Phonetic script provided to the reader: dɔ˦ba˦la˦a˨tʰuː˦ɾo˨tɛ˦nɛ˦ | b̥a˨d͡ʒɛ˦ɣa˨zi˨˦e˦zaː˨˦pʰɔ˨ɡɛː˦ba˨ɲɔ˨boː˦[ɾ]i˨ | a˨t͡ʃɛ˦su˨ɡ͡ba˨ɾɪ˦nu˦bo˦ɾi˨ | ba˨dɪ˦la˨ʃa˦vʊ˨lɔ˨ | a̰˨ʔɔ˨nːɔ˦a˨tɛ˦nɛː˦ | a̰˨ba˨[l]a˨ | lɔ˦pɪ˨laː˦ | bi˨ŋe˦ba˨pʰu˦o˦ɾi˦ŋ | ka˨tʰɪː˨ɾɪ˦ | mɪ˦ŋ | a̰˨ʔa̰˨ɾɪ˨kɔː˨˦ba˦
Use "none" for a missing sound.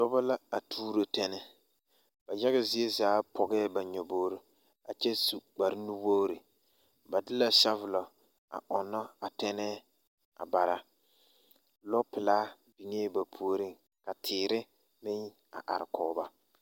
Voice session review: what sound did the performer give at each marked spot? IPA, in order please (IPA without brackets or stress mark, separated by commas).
ɾ, ɾ